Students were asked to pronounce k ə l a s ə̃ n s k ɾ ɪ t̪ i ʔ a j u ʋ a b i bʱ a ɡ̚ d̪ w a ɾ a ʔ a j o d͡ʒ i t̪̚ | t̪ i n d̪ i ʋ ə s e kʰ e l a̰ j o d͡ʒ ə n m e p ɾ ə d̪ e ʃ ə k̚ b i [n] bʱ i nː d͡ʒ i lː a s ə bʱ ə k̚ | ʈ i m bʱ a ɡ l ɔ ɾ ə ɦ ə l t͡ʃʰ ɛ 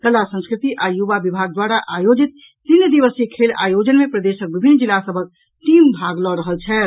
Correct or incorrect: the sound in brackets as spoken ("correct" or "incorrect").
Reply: incorrect